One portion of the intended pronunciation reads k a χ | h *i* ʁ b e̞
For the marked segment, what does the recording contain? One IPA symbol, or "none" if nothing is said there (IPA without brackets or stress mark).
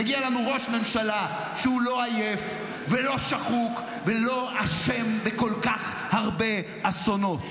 a